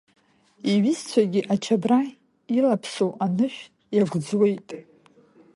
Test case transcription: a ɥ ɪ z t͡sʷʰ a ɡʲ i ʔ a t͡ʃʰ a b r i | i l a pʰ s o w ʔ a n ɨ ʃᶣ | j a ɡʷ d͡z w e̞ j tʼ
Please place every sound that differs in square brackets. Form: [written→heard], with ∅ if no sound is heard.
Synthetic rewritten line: [a→i] ɥ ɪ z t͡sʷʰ a ɡʲ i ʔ a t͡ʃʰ a b r [i→a] | i l a pʰ s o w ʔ a n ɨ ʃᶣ | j a ɡʷ d͡z w e̞ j tʼ